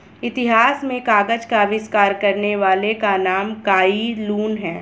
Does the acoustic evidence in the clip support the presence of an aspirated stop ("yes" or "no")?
no